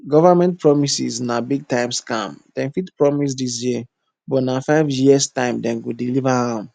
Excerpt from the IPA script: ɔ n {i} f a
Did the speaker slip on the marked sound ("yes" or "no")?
yes